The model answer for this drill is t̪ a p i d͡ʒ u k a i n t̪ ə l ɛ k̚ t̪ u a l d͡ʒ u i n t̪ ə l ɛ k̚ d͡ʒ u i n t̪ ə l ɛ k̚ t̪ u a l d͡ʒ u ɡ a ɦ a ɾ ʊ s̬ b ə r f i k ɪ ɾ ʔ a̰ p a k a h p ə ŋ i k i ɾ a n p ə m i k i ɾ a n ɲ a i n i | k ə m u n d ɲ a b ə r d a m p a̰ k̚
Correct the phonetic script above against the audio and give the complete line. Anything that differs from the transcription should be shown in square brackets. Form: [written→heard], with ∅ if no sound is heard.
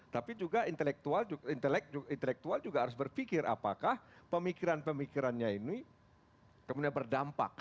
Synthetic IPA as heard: t̪ a p i d͡ʒ u [k→ɡ] a i n t̪ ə l ɛ k̚ t̪ u a l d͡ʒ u i n t̪ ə l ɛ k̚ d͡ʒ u i n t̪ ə l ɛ k̚ t̪ u a l d͡ʒ u ɡ a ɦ a ɾ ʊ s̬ b ə r f i k ɪ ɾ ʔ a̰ p a k a h p ə [ŋ→m] i k i ɾ a n p ə m i k i ɾ a n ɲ a i n i | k ə m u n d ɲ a b ə r d a m p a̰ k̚